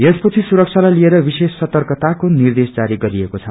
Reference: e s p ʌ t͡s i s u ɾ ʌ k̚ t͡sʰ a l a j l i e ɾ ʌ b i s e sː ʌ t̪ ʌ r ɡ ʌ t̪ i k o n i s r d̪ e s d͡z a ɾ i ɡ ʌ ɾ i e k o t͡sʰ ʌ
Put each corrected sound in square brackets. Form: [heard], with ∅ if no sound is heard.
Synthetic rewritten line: e s p ʌ [t͡sʰ] i s u ɾ ʌ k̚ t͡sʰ a l a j l i e ɾ ʌ b i s e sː ʌ t̪ ʌ r [k] ʌ t̪ [a] k o n i [∅] r d̪ e s d͡z a ɾ i ɡ ʌ ɾ i e k o t͡sʰ ʌ